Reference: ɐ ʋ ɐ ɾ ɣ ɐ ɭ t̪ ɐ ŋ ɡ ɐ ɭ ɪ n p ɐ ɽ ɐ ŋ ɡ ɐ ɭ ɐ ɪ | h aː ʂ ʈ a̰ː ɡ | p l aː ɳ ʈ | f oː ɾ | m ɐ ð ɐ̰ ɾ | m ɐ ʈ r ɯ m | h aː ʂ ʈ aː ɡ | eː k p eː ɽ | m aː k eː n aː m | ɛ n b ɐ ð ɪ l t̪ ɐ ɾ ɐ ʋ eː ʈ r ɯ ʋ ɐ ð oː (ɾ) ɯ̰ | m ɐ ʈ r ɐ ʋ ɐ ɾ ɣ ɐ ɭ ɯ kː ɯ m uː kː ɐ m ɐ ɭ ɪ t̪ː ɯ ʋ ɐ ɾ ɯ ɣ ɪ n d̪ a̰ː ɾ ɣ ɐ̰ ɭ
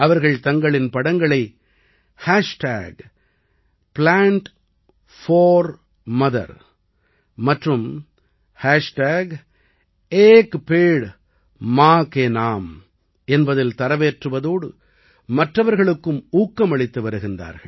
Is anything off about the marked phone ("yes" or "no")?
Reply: yes